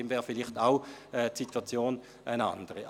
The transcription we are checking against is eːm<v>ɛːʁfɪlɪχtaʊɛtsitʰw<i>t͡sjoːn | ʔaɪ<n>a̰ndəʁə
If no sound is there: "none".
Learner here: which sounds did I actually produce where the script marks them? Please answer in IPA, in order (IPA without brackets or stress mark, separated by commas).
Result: v, a, n